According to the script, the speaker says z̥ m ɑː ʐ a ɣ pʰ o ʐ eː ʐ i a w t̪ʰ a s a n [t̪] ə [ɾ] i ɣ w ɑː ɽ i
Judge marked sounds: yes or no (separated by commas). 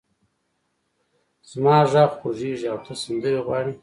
no, yes